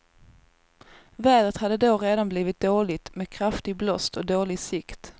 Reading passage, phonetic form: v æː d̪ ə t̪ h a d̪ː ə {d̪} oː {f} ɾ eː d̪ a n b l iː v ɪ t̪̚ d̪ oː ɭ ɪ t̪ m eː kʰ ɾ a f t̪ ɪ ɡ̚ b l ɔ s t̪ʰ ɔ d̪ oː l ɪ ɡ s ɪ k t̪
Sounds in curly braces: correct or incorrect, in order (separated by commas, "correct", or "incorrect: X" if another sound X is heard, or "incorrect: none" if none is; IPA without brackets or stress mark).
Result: correct, incorrect: none